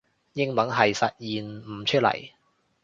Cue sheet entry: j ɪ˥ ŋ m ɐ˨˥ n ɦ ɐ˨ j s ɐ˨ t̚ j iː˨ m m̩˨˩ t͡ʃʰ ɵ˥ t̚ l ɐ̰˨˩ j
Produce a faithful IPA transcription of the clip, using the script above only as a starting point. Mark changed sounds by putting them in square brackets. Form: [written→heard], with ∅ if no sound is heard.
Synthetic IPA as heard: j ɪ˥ ŋ m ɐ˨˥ n ɦ ɐ˨ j s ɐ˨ t̚ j iː˨ [m→n] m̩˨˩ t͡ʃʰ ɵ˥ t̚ l ɐ̰˨˩ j